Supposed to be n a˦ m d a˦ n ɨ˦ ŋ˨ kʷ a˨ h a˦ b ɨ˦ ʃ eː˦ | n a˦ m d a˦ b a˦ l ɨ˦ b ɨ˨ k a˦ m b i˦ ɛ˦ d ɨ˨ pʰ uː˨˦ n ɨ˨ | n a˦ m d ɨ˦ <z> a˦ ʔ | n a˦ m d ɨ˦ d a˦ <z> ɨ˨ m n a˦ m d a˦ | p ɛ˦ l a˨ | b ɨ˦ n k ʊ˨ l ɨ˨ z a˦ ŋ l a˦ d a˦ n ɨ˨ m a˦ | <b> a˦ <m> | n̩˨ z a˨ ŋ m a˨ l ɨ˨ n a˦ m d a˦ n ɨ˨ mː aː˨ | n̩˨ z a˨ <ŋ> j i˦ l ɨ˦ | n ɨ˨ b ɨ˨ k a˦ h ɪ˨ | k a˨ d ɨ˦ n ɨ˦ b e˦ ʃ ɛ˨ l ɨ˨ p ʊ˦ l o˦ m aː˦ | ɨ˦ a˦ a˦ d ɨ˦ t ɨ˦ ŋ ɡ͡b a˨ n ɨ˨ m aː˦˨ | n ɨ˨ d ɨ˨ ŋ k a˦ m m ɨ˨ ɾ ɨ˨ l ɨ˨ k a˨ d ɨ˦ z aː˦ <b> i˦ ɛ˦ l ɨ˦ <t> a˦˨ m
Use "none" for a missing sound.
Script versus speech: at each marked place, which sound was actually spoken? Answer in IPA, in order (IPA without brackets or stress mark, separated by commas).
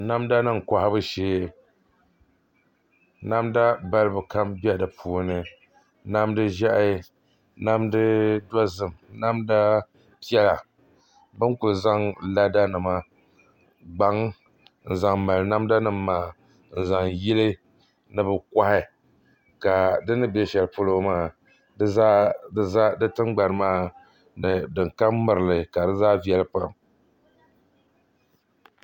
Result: ʒ, z, ɡ͡b, ŋ, ŋ, v, p